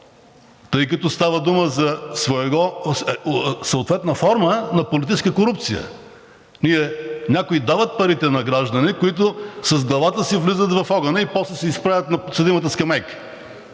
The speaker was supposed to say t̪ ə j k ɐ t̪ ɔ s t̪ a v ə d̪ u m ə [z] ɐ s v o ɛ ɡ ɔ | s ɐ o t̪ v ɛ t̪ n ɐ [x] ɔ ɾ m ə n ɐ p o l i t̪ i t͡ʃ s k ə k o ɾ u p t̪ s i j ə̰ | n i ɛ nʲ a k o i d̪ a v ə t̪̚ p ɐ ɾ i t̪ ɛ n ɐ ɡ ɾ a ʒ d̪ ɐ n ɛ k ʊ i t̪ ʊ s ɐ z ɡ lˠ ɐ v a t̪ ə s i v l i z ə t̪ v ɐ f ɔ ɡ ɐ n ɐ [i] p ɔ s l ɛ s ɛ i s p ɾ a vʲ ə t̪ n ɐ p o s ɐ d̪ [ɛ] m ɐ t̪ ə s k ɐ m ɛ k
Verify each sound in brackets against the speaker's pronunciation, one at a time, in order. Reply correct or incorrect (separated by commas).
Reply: correct, incorrect, correct, incorrect